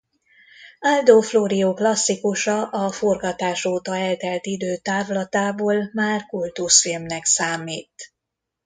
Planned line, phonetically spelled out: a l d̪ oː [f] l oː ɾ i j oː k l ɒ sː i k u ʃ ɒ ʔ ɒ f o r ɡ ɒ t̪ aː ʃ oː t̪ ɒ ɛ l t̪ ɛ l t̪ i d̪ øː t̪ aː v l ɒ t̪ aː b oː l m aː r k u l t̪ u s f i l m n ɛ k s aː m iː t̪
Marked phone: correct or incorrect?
correct